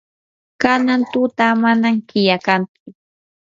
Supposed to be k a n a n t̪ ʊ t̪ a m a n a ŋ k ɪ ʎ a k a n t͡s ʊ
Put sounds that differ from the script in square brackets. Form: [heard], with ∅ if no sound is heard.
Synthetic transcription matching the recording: k a n a n t̪ ʊ t̪ a m a n a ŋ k ɪ [j] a k a n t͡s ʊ